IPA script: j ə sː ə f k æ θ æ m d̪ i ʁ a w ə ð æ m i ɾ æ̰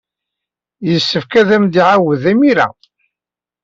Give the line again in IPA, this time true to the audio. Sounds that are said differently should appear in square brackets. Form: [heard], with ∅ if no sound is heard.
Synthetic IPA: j ə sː ə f k æ [ð] æ m d̪ i [ʕ] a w ə ð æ m i ɾ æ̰